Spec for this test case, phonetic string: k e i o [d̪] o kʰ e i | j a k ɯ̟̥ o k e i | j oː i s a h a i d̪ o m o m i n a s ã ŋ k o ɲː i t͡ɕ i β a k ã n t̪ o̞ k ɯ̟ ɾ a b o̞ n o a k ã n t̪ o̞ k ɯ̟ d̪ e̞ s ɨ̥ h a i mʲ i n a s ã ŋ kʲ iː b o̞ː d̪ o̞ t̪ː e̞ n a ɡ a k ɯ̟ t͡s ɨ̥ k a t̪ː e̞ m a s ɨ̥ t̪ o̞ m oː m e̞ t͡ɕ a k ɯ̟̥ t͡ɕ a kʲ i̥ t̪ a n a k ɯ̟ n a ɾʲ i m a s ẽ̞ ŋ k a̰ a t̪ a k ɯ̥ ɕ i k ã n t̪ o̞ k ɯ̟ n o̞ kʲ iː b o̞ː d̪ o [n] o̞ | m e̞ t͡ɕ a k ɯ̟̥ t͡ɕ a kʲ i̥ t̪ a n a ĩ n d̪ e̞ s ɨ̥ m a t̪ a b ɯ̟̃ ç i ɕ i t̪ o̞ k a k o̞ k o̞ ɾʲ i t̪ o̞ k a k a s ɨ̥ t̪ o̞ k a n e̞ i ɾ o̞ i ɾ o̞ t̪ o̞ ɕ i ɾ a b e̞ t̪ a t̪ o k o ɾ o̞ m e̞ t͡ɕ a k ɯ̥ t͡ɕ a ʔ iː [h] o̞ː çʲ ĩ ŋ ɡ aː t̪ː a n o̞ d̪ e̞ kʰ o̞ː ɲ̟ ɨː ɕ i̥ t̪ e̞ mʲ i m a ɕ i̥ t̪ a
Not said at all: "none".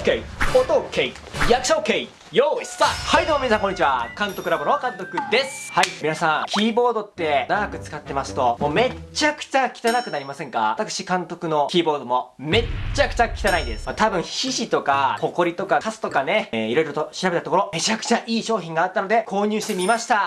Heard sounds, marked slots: t̪, m, ɕ

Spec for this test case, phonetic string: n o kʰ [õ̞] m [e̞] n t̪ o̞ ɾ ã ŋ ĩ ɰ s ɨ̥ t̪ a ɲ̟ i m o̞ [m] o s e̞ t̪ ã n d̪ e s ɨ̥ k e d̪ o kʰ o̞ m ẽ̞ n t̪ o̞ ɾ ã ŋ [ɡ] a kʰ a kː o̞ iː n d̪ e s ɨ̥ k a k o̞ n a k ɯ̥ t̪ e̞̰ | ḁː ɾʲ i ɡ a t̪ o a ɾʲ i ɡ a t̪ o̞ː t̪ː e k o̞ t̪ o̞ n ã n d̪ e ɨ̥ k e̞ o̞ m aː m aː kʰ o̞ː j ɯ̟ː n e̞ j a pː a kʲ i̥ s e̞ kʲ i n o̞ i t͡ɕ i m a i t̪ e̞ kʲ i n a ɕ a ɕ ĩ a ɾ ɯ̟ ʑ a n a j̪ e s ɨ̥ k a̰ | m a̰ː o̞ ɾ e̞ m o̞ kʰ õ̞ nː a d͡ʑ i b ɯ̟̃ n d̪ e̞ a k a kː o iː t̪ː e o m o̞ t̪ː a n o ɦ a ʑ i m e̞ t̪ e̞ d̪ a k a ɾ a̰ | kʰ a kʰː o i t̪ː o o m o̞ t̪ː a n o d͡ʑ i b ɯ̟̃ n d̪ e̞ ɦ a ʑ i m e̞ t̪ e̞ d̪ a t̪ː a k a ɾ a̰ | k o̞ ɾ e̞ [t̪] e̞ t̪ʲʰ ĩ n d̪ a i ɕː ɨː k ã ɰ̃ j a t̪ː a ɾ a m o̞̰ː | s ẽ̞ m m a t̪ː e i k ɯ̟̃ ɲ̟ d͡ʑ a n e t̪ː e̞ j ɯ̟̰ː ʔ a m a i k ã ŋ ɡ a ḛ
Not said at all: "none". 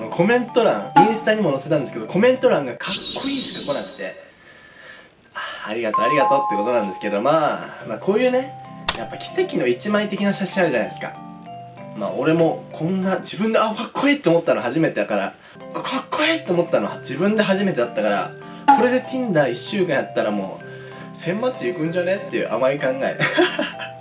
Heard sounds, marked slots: o̞, ẽ̞, n, ɡ, d̪

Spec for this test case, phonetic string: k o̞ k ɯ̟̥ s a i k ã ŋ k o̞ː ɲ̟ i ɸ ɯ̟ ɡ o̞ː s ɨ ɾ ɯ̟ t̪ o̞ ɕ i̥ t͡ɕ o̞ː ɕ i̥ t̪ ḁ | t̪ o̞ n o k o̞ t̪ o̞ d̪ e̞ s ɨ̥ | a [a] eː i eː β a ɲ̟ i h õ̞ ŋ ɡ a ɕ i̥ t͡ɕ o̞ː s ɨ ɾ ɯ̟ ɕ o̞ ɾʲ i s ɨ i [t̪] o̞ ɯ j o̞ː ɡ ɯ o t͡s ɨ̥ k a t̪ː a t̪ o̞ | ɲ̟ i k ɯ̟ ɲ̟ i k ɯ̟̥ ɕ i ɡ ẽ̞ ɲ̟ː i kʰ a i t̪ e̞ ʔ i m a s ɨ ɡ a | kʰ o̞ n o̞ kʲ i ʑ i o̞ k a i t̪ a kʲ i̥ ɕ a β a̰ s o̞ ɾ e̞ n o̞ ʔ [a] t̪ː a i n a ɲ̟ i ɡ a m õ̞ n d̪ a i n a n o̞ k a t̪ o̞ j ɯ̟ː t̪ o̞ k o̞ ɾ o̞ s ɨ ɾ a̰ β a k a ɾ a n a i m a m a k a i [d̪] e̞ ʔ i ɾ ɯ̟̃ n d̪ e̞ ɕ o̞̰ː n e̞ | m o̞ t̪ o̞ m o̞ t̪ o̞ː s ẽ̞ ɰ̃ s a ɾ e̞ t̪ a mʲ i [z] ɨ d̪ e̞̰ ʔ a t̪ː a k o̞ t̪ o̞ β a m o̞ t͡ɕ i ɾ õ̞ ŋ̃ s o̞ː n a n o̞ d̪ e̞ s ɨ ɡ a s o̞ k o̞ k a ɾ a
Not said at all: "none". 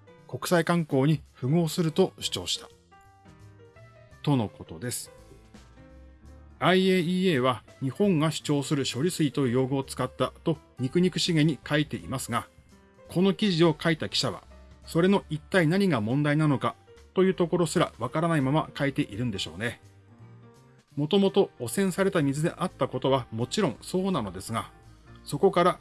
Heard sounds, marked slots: i, t̪, i, t̪, z

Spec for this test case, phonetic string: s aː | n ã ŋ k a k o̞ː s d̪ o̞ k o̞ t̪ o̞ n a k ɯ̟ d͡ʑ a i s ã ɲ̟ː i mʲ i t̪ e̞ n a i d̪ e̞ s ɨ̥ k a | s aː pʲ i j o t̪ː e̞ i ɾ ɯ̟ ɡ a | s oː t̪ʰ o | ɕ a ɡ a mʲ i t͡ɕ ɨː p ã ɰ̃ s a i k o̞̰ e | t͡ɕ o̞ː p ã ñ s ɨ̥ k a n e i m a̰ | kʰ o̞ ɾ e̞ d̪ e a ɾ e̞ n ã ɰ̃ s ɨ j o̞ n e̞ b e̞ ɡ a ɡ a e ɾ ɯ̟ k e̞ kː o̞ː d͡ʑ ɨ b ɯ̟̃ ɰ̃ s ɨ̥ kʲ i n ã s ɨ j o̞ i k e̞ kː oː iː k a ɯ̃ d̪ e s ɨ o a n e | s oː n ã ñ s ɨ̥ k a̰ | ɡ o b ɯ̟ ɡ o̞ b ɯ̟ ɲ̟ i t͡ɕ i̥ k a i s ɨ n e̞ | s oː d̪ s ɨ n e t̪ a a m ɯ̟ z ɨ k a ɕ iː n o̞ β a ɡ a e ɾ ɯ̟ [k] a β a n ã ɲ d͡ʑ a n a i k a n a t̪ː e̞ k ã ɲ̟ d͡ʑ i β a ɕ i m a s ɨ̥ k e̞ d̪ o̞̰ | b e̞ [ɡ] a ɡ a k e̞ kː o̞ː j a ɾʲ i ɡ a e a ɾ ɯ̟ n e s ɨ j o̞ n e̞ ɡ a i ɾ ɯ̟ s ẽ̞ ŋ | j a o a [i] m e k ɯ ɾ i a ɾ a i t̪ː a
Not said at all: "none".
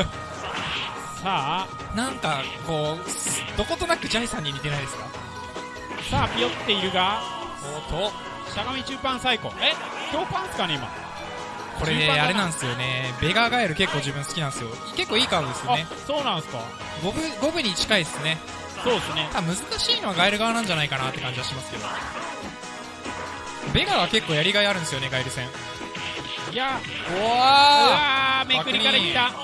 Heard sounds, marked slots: ɡ, ɡ, a

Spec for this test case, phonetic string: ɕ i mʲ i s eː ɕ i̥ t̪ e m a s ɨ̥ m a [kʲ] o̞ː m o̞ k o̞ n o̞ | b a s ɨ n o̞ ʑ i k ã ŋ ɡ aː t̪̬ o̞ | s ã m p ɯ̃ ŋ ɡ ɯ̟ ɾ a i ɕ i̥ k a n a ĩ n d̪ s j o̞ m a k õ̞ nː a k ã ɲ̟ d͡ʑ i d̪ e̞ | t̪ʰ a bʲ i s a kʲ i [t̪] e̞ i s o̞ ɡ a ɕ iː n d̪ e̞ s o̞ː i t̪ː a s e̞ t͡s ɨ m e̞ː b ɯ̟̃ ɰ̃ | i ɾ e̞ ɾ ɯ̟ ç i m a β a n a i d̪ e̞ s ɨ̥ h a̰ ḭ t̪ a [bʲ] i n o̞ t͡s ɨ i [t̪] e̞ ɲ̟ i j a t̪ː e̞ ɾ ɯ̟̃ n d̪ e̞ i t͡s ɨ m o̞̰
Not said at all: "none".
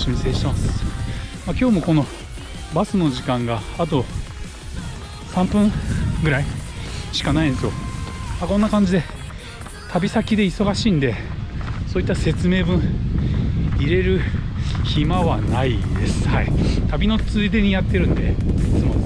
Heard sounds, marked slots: kʲ, d̪, bʲ, d̪

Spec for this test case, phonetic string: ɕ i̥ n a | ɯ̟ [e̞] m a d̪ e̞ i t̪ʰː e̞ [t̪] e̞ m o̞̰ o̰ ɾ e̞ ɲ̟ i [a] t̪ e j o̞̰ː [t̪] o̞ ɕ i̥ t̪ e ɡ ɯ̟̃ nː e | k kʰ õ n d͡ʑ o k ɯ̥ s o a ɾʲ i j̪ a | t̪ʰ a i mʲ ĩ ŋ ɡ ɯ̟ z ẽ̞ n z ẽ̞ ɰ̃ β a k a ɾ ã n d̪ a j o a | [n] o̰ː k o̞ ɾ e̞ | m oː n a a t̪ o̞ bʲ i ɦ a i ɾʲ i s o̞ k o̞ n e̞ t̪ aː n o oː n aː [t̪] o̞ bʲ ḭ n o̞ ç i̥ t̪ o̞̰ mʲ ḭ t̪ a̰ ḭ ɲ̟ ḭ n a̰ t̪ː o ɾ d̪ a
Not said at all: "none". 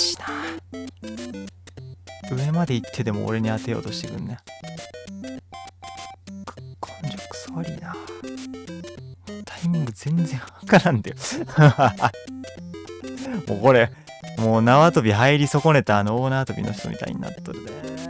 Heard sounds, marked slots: e̞, d̪, a, t̪, m, t̪

